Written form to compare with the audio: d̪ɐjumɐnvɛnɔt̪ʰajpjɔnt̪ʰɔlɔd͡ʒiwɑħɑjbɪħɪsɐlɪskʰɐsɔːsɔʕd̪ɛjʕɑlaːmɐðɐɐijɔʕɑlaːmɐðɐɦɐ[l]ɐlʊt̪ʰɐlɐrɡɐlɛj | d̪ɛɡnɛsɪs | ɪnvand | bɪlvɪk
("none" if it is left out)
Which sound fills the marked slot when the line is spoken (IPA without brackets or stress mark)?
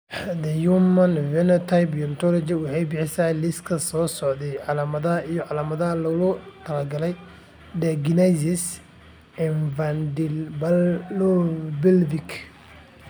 l